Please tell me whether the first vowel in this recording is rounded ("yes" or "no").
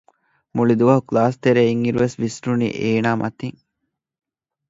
yes